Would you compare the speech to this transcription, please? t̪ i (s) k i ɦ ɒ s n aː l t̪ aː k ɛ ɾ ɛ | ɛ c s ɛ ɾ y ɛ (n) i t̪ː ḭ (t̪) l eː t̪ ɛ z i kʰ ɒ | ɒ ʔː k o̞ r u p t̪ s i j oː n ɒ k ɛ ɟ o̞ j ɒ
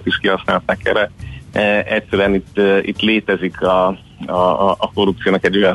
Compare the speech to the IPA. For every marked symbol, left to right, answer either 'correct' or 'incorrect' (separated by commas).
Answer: incorrect, correct, correct